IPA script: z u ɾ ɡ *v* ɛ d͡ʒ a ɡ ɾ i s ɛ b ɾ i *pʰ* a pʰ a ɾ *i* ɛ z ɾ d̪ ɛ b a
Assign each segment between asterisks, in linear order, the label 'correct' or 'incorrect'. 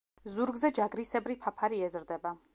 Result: incorrect, correct, correct

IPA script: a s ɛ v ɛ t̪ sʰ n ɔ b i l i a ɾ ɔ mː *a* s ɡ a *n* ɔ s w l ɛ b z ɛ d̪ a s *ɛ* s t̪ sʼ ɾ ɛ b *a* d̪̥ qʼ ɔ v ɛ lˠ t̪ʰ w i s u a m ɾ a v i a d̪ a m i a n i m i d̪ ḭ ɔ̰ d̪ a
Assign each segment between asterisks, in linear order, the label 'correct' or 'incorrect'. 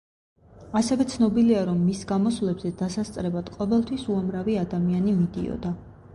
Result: incorrect, incorrect, incorrect, correct

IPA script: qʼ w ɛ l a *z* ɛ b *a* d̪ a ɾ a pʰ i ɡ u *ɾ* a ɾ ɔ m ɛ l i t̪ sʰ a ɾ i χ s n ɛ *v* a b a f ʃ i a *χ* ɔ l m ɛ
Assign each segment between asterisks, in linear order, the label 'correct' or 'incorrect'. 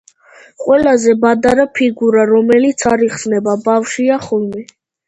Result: correct, correct, correct, incorrect, correct

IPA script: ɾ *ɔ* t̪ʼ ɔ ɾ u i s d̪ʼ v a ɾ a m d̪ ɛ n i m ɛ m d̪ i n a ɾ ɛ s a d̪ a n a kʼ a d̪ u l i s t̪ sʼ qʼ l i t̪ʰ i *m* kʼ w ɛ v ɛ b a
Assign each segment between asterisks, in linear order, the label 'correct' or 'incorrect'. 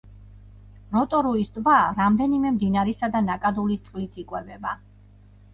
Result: correct, incorrect

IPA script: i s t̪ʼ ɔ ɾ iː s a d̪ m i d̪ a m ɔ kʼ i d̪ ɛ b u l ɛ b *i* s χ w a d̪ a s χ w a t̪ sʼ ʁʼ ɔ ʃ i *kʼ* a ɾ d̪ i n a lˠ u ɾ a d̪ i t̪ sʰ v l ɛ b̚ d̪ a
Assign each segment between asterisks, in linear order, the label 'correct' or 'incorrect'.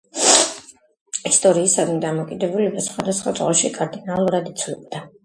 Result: incorrect, correct

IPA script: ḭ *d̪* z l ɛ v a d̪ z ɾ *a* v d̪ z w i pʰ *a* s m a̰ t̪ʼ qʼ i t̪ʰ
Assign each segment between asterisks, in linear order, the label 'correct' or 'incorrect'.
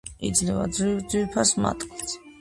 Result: correct, incorrect, correct

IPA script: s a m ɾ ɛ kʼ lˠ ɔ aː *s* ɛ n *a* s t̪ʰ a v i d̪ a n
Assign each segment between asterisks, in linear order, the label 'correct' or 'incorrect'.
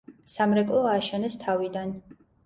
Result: incorrect, incorrect

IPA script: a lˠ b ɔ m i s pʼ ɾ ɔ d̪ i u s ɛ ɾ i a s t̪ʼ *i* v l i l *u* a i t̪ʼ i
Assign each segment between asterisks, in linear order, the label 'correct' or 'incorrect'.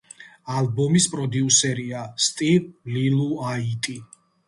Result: correct, correct

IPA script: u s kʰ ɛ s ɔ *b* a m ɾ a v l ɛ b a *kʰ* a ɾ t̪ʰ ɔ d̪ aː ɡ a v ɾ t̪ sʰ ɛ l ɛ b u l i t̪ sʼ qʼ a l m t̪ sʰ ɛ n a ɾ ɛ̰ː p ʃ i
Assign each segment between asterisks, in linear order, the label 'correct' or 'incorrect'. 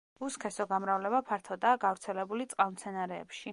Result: incorrect, incorrect

